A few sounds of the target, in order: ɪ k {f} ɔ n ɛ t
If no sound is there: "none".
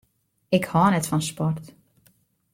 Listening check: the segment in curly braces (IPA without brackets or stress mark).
h